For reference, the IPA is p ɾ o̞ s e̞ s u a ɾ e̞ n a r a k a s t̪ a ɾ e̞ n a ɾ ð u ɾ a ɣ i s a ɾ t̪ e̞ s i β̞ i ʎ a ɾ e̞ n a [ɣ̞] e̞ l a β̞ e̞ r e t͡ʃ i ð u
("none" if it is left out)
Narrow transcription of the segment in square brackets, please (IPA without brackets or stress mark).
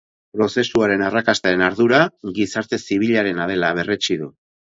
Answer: ð̞